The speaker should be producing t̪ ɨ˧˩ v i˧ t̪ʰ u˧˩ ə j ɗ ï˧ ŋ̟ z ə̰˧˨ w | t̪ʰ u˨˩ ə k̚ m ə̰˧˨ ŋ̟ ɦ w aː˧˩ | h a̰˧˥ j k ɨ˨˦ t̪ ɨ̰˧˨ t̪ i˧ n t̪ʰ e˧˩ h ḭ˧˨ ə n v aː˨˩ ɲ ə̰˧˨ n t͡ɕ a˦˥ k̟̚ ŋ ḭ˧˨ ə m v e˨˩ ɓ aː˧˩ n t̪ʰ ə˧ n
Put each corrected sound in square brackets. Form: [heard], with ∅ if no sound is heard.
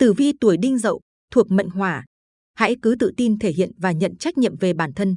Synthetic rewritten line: t̪ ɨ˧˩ v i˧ [t̪] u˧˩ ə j ɗ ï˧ ŋ̟ z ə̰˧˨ w | t̪ʰ u˨˩ ə k̚ m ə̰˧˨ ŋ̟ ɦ w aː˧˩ | h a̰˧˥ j k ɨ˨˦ t̪ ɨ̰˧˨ t̪ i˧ n t̪ʰ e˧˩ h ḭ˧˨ ə n v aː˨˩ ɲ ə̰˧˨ n t͡ɕ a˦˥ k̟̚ [ɲ] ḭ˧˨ ə m v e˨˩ ɓ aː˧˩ n t̪ʰ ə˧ n